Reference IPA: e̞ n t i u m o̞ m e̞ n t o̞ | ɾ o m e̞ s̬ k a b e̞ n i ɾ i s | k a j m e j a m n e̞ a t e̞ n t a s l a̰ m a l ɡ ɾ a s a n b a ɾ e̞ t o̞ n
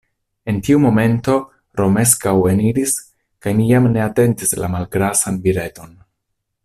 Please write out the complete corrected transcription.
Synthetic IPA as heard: e̞ n t i u m o̞ m e̞ n t o̞ | ɾ o m e̞ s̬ k a w e̞ n i ɾ i s | k a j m i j a m n e̞ a t e̞ n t i s l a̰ m a l ɡ ɾ a s a n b i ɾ e̞ t o̞ n